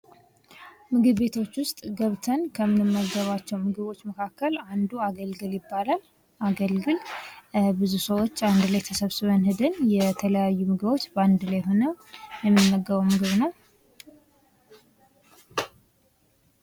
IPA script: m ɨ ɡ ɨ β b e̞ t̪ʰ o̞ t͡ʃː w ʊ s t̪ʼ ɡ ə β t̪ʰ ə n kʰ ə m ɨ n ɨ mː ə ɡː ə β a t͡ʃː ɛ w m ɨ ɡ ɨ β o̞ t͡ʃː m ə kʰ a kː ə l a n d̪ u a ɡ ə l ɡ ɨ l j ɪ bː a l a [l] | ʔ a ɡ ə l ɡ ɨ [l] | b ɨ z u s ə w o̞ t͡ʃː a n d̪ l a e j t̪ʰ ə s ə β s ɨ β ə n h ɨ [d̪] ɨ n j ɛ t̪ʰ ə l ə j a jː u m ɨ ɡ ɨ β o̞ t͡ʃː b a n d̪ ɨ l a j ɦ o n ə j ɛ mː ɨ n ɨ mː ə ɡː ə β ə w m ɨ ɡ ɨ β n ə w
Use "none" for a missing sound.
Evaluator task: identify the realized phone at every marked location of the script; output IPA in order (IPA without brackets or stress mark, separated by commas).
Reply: l, l, d̪